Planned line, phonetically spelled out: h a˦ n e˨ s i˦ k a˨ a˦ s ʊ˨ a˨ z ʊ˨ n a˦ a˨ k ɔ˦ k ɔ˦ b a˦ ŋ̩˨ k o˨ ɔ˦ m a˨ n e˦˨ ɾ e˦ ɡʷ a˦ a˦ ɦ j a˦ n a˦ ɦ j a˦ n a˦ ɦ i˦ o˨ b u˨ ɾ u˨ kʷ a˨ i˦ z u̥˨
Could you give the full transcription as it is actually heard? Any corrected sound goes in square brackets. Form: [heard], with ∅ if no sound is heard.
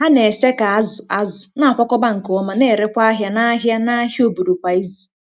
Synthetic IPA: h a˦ n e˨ s [e˦] k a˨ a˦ [z] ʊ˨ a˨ z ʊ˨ n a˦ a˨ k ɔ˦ k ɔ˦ b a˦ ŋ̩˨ k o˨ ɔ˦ m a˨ n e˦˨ ɾ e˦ [kʷ] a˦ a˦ ɦ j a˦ n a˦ ɦ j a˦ n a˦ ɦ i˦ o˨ b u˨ ɾ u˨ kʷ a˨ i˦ z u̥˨

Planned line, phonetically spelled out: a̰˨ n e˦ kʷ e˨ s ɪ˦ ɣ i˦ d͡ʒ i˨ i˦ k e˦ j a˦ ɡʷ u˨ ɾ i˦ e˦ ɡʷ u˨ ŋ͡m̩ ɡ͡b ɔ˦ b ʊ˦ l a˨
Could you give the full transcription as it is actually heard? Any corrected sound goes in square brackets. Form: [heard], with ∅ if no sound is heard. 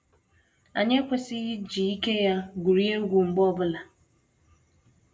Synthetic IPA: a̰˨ [ɲ] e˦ kʷ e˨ s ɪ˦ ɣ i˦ d͡ʒ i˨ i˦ k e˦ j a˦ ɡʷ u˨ ɾ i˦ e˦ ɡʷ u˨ ŋ͡m̩ ɡ͡b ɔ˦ b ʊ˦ l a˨

